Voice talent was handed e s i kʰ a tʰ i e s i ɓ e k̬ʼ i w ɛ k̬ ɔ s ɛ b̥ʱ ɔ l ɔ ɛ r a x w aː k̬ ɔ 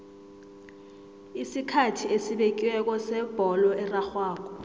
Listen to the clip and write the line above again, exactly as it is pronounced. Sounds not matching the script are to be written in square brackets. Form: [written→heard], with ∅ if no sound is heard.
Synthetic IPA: [e→i] s i kʰ a tʰ i e s i ɓ e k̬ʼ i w ɛ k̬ ɔ s ɛ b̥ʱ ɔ l ɔ ɛ r a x w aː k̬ ɔ